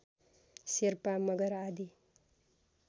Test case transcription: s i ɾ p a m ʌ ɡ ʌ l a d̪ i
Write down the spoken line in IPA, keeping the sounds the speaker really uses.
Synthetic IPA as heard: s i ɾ p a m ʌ ɡ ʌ ɾ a d̪ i